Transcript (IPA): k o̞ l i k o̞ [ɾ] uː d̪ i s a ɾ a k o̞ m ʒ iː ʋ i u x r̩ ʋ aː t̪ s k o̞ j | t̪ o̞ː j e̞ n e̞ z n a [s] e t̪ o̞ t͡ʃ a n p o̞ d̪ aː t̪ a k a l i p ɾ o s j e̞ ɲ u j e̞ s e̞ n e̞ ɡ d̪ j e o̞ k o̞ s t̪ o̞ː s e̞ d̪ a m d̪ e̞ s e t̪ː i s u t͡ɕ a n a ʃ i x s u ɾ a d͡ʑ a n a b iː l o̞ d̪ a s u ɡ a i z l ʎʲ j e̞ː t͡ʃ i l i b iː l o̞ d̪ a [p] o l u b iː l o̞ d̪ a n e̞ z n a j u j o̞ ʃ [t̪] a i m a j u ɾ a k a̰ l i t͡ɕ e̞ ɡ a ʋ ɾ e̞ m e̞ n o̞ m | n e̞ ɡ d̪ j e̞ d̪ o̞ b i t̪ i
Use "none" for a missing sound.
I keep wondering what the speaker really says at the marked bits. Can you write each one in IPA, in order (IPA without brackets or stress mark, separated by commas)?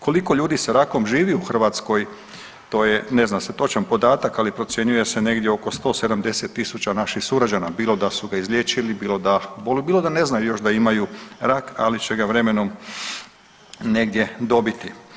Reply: ʎ, s, b, d̪